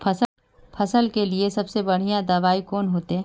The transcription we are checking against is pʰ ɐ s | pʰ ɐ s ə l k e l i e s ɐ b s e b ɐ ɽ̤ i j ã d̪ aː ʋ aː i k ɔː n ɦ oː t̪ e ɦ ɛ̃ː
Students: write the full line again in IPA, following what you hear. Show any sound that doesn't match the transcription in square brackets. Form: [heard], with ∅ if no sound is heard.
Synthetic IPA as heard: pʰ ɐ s | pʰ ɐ s ə l k e l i e s ɐ b s e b ɐ ɽ̤ i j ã d̪ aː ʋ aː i k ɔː n ɦ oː t̪ e ɦ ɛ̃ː